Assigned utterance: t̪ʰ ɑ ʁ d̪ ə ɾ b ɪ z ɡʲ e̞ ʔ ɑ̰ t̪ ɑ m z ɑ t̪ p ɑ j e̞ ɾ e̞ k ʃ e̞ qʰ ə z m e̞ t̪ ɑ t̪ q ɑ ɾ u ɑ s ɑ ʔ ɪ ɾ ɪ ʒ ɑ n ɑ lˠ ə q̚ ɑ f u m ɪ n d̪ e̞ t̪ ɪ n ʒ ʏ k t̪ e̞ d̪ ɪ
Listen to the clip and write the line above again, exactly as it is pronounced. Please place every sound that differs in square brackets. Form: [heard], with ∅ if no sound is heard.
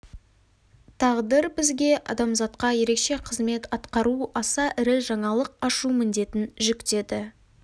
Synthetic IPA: t̪ʰ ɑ ʁ d̪ ə ɾ b ɪ z ɡʲ e̞ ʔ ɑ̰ [d̪] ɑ m z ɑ t̪ [q] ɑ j e̞ ɾ e̞ k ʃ e̞ qʰ ə z m e̞ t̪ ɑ t̪ q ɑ ɾ u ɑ s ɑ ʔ ɪ ɾ ɪ ʒ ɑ [ɴ] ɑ lˠ ə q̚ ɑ [ʃ] u m ɪ n d̪ e̞ t̪ ɪ n ʒ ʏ k t̪ e̞ d̪ ɪ